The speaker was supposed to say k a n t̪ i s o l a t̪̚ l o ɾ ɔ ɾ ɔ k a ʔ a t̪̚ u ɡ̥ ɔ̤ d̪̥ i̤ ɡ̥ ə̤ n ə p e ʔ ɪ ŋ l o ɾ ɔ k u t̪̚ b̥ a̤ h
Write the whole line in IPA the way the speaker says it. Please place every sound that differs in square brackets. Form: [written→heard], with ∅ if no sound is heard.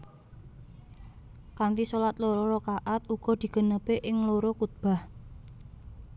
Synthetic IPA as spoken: k a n t̪ i s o l a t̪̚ l o ɾ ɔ ɾ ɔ k a ʔ a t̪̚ u ɡ̥ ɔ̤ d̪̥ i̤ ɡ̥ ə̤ n ə p e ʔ ɪ ŋ l o ɾ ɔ k u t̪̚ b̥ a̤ h